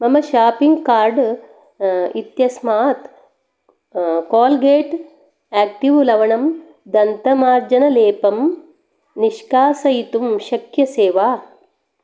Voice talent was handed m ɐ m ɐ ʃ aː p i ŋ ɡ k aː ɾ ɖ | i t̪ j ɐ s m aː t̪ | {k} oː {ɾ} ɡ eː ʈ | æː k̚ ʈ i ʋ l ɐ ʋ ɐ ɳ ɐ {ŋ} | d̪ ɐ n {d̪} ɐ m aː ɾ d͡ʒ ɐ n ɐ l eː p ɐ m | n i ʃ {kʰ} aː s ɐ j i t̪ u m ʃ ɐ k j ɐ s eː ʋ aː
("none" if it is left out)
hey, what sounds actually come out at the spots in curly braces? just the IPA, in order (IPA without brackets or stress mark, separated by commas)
k, l, m, t̪, k